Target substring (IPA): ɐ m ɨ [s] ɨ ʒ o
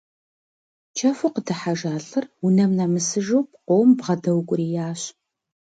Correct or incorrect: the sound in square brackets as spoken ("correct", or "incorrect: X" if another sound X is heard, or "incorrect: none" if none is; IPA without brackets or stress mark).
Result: correct